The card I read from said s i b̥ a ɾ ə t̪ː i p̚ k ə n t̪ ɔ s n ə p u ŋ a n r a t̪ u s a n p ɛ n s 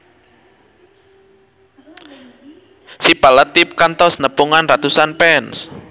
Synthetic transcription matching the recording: s i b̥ a l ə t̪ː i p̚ k a n t̪ ɔ s n ə p u ŋ a n r a t̪ u s a n p ɛ n s

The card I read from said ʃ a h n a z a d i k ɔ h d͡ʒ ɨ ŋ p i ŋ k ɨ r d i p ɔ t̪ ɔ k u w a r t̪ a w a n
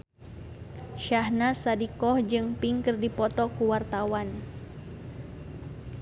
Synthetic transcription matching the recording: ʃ a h n a s a d i k ɔ h d͡ʒ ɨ ŋ p i ŋ k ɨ r d i p ɔ t̪ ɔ k u w a r t̪ a w a n

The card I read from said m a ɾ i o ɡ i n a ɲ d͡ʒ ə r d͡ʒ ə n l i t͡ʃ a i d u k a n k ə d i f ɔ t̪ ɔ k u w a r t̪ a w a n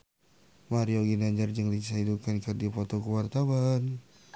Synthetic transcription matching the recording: m a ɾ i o ɡ i n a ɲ d͡ʒ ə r d͡ʒ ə ŋ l i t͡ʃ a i d u k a n k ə d i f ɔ t̪ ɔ k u w a r t̪ a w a n

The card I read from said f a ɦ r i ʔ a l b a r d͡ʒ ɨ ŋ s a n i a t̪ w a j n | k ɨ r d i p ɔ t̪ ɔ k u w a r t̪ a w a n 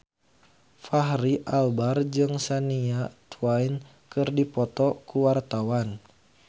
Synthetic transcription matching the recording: f a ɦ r i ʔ a l b a r d͡ʒ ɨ ŋ s a n i a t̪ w a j n | k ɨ r d i p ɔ t̪ ɔ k u w a r t̪ a w a n

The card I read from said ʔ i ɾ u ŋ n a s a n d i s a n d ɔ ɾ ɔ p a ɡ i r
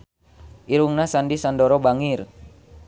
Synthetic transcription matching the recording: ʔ i ɾ u ŋ n a s a n d i s a n d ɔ ɾ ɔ b a ŋ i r

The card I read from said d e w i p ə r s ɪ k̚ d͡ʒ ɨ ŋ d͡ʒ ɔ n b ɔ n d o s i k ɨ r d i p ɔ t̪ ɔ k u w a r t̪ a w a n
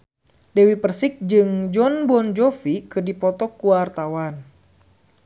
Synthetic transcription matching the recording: d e w i p ə r s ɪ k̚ d͡ʒ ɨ ŋ d͡ʒ ɔ n b ɔ n d͡ʒ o f i k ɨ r d i p ɔ t̪ ɔ k u w a r t̪ a w a n

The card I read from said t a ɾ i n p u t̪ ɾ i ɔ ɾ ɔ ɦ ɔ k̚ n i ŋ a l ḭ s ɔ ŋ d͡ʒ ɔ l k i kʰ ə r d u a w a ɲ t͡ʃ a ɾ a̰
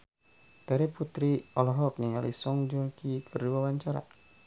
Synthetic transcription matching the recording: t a ɾ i p u t̪ ɾ i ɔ l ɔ ɦ ɔ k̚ n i ŋ a l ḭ s ɔ ŋ d͡ʒ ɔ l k i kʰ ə r d u a w a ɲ t͡ʃ a ɾ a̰

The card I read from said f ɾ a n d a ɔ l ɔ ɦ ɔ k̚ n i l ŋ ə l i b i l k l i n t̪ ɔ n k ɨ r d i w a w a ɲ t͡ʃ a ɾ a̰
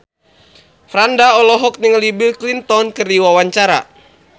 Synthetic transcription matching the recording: f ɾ a n d a ɔ l ɔ ɦ ɔ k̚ n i ŋ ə l i b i l k l i n t̪ ɔ n k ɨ r d i w a w a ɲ t͡ʃ a ɾ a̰

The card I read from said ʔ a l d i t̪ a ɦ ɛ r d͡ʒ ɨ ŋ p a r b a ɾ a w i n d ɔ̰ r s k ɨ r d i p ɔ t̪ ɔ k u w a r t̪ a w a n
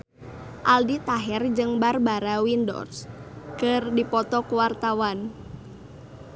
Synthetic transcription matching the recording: ʔ a l d i t̪ a ɦ ɛ r d͡ʒ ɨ ŋ b a r b a ɾ a w i n d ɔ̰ r s k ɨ r d i p ɔ t̪ ɔ k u w a r t̪ a w a n

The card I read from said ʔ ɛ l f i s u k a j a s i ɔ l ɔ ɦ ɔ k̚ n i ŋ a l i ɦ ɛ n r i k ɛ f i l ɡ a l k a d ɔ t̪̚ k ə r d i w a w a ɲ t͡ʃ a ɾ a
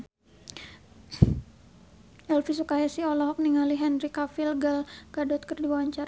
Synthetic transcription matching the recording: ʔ ɛ l f i s u k a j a s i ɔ l ɔ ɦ ɔ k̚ n i ŋ a l i ɦ ɛ n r i k a f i l ɡ a l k a d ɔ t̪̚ k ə r d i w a w a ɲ t͡ʃ a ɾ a

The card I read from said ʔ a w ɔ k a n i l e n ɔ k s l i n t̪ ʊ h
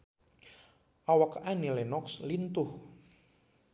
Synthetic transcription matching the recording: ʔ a w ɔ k a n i l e n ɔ k s l i n t̪ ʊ h

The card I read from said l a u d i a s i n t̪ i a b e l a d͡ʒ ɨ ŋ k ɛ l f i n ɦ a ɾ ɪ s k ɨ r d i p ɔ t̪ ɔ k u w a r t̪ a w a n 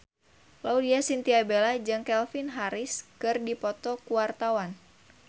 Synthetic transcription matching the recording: l a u d i a s i n t̪ i a b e l a d͡ʒ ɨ ŋ k ɛ l f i n ɦ a ɾ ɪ s k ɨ r d i p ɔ t̪ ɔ k u w a r t̪ a w a n

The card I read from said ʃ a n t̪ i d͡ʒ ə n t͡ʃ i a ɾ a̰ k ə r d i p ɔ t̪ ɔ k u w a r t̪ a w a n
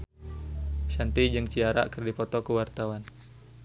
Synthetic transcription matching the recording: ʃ a n t̪ i d͡ʒ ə ŋ t͡ʃ i a ɾ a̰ k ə r d i p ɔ t̪ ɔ k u w a r t̪ a w a n

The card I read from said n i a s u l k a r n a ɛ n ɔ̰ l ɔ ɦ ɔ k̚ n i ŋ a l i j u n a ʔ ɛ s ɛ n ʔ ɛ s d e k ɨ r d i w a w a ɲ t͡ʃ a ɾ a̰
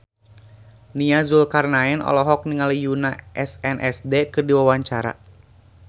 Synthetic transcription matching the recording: n i a z u l k a r n a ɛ n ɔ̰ l ɔ ɦ ɔ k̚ n i ŋ a l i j u n a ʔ ɛ s ɛ n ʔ ɛ s d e k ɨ r d i w a w a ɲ t͡ʃ a ɾ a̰

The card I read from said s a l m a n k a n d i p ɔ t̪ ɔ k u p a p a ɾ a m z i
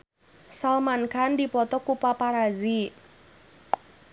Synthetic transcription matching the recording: s a l m a n k a n d i p ɔ t̪ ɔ k u p a p a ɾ a z i

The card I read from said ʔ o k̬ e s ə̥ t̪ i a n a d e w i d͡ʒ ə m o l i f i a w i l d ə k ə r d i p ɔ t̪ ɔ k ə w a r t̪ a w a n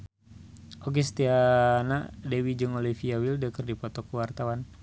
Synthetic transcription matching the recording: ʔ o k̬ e s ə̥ t̪ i a n a d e w i d͡ʒ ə ŋ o l i f i a w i l d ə k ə r d i p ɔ t̪ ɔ k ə w a r t̪ a w a n

